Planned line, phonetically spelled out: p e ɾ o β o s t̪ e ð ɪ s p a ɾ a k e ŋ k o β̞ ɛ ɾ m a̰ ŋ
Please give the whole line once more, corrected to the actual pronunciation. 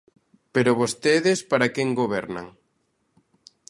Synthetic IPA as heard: p e ɾ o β o s t̪ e ð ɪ s p a ɾ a k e ŋ ɡ o β̞ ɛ ɾ n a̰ ŋ